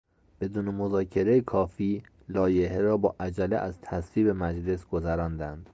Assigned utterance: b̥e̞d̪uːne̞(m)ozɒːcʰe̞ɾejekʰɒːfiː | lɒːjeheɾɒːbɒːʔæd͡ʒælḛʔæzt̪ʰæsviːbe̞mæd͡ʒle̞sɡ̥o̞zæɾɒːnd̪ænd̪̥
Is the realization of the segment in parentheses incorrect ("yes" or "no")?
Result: no